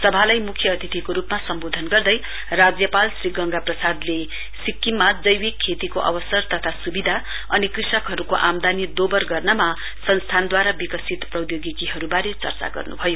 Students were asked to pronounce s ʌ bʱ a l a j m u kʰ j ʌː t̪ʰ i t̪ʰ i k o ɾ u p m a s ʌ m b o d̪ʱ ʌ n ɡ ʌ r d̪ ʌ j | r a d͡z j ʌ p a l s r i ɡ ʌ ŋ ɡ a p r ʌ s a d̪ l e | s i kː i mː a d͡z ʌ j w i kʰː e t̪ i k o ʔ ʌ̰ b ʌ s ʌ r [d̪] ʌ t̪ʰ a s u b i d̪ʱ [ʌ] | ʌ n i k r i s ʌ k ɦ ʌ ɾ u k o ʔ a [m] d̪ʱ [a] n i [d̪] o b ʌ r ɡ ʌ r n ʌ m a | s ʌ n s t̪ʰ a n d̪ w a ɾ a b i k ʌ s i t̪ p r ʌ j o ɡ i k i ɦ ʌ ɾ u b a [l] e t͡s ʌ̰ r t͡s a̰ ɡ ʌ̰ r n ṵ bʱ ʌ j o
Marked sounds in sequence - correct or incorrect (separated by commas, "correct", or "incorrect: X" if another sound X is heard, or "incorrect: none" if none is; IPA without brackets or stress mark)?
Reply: incorrect: t̪, incorrect: a, correct, correct, correct, incorrect: ɾ